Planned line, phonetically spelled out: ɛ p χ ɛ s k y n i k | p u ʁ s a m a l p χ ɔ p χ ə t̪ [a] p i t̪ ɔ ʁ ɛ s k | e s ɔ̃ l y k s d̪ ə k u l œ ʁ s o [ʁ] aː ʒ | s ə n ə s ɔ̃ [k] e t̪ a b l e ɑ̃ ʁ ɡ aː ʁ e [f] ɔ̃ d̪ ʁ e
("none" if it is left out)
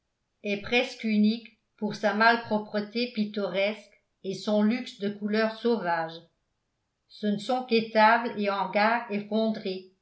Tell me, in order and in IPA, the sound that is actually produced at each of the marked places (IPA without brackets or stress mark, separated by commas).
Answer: e, v, k, f